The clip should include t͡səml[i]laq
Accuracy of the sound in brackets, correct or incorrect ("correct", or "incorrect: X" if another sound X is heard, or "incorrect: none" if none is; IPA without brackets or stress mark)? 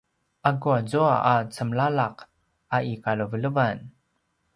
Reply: incorrect: a